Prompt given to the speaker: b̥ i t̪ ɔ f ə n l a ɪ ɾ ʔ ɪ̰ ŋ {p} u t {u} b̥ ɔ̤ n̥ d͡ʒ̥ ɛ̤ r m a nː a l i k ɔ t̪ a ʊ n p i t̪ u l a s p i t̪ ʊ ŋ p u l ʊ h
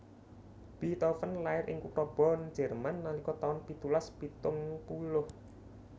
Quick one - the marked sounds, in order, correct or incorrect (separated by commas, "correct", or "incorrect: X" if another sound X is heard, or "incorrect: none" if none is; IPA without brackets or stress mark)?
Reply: incorrect: k, incorrect: ɔ